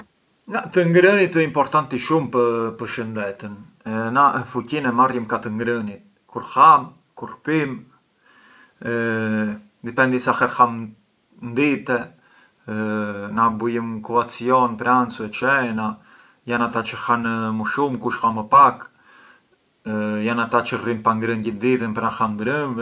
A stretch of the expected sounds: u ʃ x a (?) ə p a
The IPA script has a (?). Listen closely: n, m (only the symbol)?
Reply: m